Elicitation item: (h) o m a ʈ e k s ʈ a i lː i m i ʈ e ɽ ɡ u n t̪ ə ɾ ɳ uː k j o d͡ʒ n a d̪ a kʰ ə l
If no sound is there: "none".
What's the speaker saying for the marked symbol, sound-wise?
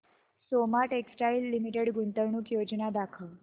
s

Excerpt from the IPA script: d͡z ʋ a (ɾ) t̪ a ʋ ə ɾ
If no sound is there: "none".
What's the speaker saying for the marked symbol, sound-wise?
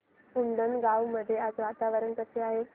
none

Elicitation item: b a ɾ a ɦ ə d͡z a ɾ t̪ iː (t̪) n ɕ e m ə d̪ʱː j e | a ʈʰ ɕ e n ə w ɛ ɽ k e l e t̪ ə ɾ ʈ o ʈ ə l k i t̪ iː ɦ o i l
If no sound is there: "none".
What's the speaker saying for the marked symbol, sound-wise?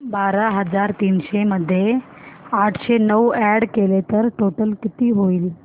none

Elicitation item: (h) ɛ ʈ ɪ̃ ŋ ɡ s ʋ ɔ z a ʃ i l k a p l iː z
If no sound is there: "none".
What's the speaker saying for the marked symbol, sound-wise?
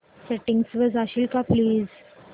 s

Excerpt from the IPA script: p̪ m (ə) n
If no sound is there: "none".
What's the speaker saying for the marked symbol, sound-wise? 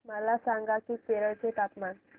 a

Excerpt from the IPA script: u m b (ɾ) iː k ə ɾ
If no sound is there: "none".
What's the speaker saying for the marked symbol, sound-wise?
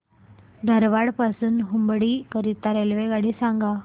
ɽ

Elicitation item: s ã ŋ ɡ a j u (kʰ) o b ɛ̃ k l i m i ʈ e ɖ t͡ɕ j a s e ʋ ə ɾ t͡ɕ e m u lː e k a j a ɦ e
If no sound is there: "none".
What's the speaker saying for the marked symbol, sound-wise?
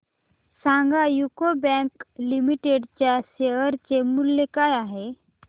k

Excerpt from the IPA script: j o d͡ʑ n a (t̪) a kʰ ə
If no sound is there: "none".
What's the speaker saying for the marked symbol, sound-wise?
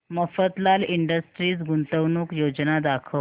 d̪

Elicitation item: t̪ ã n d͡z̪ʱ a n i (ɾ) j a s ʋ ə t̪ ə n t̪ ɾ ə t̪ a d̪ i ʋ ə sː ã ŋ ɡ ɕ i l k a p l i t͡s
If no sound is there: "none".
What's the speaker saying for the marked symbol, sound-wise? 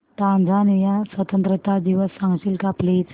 none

